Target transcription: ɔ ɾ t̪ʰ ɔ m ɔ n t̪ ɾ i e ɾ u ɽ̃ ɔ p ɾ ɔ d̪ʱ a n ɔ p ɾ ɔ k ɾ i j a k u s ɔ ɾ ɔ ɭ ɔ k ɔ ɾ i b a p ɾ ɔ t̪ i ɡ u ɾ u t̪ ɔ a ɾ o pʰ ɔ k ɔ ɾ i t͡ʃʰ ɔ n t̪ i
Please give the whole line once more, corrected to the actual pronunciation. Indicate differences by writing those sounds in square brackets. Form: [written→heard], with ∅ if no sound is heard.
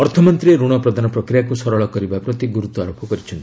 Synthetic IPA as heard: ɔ ɾ t̪ʰ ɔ m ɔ n t̪ ɾ i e ɾ u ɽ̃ ɔ p ɾ ɔ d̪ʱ a n ɔ p ɾ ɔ k ɾ i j a k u s ɔ ɾ ɔ ɭ ɔ k ɔ ɾ i b a p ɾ ɔ t̪ i ɡ u ɾ u t̪ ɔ a ɾ o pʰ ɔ k ɔ ɾ i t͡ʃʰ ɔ n t̪ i

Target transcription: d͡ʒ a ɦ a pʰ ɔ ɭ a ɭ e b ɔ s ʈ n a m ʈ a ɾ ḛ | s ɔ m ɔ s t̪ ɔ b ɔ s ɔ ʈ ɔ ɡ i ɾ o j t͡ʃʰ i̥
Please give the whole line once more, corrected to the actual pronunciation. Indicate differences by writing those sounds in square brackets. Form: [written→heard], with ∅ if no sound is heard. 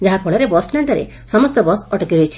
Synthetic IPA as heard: d͡ʒ a ɦ a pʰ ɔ ɭ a [ɭ→ɾ] e b ɔ s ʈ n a [m→ɳ] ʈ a ɾ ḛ | s ɔ m ɔ s t̪ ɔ b ɔ s ɔ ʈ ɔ [ɡ→k] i ɾ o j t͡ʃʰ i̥

